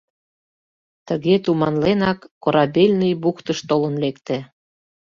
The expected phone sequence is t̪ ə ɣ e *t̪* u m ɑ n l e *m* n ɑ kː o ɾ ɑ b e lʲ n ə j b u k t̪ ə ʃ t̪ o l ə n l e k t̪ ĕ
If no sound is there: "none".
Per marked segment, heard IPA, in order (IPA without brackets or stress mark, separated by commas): t̪, none